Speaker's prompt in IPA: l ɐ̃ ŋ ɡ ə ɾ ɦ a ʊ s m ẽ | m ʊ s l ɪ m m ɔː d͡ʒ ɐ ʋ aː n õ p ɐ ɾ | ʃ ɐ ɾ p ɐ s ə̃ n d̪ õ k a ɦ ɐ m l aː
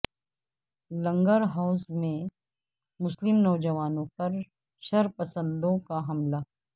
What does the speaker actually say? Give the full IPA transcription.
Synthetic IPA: l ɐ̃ ŋ ɡ ə ɾ ɦ a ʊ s m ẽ | m ʊ s l ɪ m n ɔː d͡ʒ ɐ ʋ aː n õ p ɐ ɾ | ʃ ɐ ɾ p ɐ s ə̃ n d̪ õ k a ɦ ɐ m l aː